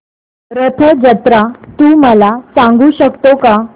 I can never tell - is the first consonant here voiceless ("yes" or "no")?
no